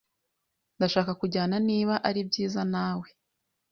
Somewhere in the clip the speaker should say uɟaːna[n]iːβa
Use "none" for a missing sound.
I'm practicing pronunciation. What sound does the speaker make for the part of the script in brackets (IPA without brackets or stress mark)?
n